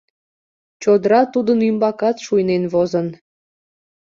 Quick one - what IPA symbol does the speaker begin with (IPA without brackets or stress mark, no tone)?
t͡ɕ